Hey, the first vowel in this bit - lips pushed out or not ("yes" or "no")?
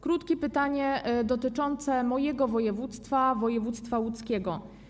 yes